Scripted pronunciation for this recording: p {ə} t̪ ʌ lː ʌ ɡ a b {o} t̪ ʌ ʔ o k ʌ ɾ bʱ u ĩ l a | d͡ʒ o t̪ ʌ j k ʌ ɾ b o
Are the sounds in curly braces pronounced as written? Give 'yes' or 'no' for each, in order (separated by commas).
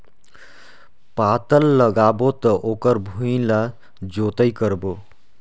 no, yes